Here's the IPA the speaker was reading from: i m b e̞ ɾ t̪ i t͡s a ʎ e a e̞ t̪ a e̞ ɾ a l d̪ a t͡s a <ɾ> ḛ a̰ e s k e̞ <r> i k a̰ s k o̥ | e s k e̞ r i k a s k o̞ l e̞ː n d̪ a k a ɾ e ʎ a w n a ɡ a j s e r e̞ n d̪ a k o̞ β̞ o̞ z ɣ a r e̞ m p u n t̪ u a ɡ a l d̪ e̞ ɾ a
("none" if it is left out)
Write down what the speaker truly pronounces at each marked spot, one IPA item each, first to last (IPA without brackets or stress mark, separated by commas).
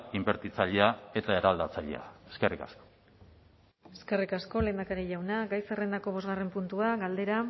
ʎ, r